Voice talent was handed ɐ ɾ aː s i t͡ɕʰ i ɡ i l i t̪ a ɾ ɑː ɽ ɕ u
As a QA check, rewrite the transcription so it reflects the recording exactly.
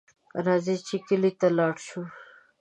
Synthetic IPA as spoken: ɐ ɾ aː z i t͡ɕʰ i k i l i t̪ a l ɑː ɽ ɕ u

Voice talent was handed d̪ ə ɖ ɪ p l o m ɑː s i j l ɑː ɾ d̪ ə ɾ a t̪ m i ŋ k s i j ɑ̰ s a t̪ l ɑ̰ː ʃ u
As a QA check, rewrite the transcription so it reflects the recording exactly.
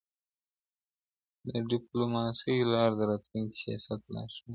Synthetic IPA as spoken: d̪ ə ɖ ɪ p l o m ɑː s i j l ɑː ɾ d̪ ə ɾ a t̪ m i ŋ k s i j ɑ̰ s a t̪ l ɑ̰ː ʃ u

